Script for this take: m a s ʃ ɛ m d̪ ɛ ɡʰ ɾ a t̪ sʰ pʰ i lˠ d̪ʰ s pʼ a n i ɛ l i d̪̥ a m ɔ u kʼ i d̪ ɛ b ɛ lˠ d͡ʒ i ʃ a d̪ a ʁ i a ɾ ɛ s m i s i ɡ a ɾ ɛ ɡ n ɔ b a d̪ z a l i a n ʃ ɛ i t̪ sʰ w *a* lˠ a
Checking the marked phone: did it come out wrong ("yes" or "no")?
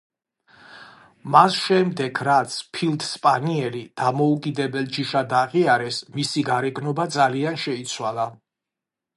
no